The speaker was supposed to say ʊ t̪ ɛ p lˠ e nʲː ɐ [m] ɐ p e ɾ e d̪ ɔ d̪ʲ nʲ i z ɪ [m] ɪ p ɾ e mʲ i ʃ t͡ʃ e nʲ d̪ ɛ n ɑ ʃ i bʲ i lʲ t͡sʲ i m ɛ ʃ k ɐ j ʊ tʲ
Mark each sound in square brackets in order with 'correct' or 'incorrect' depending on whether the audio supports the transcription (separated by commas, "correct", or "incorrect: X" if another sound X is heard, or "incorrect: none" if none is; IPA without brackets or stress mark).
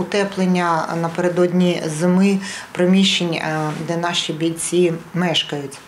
incorrect: n, correct